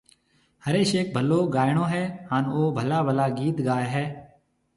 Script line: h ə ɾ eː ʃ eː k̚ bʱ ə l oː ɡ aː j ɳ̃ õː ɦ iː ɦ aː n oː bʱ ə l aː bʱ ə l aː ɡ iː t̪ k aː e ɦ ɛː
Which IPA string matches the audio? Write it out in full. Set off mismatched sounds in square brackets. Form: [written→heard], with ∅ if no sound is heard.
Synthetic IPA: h ə ɾ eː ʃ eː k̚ bʱ ə l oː ɡ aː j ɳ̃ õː ɦ [iː→ɛː] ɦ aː n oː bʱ ə l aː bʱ ə l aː ɡ iː t̪ [k→ɡ] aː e ɦ ɛː